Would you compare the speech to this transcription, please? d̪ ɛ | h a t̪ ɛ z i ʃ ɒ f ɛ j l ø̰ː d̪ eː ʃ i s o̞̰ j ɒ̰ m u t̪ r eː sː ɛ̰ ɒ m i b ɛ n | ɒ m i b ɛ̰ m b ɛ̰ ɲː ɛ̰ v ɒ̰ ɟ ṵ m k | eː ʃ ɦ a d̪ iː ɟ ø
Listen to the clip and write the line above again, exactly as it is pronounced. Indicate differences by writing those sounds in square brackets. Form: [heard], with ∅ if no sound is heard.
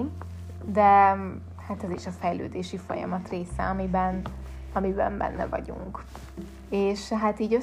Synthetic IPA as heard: d̪ ɛ | h a t̪ ɛ z i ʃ ɒ f ɛ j l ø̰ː d̪ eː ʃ i [f] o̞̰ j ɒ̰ m [ɒ] t̪ r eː [s] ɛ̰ ɒ m i b ɛ n | ɒ m i b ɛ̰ m b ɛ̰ [nː] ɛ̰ v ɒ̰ ɟ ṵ [ŋ] k | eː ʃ ɦ a [t̪] iː ɟ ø